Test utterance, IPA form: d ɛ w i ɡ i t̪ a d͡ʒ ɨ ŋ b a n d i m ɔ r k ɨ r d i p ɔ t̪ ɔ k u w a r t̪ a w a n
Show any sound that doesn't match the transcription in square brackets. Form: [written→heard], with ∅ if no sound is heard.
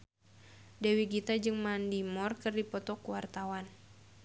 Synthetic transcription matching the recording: d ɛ w i ɡ i t̪ a d͡ʒ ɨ ŋ [b→m] a n d i m ɔ r k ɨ r d i p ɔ t̪ ɔ k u w a r t̪ a w a n